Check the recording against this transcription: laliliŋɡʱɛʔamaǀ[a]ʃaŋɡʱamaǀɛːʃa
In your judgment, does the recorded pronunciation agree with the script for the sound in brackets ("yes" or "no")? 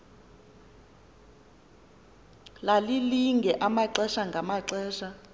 no